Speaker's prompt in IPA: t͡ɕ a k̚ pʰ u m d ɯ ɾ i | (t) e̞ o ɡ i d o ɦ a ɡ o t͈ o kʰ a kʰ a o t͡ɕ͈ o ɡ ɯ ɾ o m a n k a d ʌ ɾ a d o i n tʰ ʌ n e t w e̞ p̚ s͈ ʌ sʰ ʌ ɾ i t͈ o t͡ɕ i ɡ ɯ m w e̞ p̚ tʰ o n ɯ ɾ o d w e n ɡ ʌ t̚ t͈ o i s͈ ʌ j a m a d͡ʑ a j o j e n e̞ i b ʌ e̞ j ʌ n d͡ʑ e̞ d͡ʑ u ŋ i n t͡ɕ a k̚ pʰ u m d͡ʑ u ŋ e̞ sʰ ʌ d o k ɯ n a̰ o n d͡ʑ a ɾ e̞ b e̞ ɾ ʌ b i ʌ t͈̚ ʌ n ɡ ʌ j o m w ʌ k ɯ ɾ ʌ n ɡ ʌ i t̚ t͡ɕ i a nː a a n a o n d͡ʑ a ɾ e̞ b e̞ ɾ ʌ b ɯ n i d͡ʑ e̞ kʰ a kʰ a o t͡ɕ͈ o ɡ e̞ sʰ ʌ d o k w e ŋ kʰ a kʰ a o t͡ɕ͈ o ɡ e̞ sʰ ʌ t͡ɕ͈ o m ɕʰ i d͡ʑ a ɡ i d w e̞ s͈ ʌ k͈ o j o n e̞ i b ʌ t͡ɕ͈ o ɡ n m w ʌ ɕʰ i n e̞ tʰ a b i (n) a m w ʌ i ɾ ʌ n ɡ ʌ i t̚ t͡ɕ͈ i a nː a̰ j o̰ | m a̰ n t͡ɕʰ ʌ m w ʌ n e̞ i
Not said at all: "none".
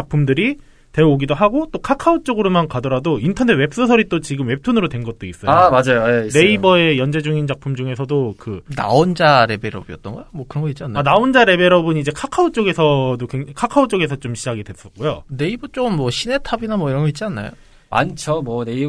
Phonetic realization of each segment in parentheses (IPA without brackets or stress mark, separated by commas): t, n